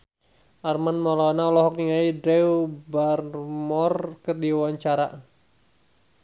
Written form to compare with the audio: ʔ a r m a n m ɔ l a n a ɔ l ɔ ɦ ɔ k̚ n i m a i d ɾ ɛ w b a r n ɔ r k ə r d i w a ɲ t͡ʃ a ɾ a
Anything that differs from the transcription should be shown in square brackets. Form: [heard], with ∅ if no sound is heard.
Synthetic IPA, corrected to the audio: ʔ a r m a n m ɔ l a n a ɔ l ɔ ɦ ɔ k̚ n i [ŋ] a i d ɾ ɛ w b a r [m] ɔ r k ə r d i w a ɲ t͡ʃ a ɾ a